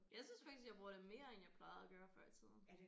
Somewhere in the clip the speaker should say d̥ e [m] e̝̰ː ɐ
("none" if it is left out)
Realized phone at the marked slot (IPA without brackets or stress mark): m